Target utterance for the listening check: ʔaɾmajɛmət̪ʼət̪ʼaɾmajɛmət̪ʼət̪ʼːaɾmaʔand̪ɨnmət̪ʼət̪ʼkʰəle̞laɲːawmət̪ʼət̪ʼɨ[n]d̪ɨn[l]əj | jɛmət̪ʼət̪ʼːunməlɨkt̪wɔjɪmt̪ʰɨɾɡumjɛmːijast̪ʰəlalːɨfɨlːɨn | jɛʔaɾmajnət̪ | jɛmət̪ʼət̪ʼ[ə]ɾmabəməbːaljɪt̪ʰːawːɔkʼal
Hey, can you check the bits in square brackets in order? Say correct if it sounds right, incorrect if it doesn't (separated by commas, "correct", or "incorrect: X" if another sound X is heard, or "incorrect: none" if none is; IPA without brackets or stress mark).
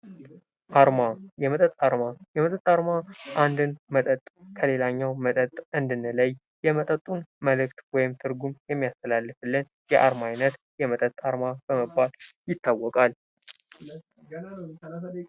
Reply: correct, correct, incorrect: a